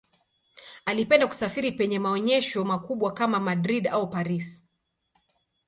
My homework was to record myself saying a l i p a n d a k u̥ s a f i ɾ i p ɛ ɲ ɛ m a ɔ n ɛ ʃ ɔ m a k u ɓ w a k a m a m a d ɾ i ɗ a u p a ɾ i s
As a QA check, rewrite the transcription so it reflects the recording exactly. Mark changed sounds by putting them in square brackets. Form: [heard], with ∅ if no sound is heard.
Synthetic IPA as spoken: a l i p [ɛ] n d a k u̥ s a f i ɾ i p ɛ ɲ ɛ m a ɔ [ɲ] ɛ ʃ ɔ m a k u ɓ w a k a m a m a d ɾ i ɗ a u p a ɾ i s